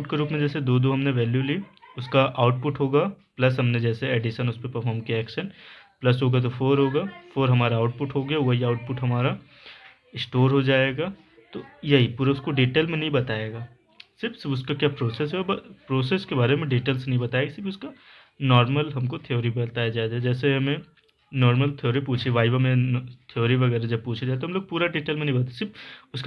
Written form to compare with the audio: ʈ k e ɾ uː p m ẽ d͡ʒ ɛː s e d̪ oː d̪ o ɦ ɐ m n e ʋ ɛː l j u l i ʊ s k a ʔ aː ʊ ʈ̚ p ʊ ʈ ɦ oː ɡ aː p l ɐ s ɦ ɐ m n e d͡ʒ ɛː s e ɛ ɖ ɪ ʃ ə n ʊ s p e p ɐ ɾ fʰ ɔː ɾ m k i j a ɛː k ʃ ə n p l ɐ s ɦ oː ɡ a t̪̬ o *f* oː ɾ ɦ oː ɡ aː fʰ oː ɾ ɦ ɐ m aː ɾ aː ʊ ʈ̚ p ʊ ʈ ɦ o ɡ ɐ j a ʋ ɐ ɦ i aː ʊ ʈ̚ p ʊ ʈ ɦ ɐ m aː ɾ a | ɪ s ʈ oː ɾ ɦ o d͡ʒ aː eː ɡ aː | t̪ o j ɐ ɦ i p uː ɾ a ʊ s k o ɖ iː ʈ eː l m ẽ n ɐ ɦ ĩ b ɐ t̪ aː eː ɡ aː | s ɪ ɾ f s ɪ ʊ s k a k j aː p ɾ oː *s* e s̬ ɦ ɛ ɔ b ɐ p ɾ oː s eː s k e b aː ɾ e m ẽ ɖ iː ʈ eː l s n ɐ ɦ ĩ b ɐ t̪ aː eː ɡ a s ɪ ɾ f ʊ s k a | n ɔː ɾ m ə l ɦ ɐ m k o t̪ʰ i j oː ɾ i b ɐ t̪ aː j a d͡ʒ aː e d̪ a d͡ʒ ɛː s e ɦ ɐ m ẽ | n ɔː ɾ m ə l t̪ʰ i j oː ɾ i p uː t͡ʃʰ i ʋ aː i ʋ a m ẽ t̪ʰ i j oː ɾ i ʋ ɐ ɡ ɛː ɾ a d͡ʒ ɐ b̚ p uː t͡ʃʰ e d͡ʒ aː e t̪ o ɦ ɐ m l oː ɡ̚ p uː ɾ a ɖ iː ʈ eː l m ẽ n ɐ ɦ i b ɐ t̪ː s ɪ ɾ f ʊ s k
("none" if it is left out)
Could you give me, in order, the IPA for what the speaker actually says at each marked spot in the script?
f, s

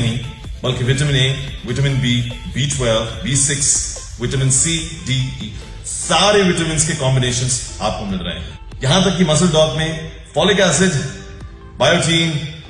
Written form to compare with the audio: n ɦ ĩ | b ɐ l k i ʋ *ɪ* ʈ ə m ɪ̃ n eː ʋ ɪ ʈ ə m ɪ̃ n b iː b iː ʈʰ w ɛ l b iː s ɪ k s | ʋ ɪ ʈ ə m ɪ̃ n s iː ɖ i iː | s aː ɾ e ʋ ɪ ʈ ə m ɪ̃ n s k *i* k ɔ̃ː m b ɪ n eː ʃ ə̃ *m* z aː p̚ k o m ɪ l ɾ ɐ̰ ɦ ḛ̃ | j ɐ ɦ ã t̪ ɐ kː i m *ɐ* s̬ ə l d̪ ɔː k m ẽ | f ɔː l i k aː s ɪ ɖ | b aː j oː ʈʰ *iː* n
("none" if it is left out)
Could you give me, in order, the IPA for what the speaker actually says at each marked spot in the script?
ɪ, e, n, ɐ, iː

